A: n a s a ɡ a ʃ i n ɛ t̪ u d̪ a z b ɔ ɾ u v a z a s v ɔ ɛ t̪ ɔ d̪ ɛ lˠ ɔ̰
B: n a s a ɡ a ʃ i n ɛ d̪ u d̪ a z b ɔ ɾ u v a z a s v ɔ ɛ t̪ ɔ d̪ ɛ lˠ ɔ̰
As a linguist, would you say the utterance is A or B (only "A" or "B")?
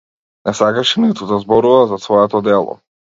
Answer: A